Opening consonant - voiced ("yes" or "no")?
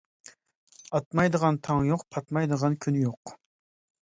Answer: no